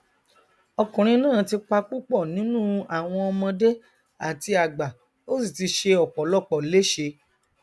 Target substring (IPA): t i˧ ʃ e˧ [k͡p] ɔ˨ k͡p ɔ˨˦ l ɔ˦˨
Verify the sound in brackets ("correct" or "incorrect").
incorrect